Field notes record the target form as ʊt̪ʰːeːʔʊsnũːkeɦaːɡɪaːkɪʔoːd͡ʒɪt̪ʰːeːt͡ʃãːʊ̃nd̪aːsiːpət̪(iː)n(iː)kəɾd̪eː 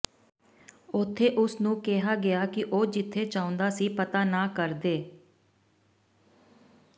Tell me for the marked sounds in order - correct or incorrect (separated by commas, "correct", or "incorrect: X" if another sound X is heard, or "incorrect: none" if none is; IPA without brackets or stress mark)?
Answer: incorrect: aː, incorrect: aː